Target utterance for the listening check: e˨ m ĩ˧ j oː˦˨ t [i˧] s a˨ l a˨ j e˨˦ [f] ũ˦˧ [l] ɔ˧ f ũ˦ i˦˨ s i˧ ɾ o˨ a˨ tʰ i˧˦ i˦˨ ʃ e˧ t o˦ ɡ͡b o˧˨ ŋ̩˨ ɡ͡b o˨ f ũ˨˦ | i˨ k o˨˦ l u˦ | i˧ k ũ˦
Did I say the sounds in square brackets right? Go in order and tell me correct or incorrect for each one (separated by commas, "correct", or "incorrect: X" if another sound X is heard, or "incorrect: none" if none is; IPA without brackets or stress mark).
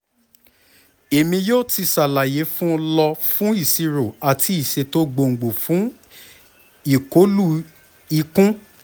correct, correct, correct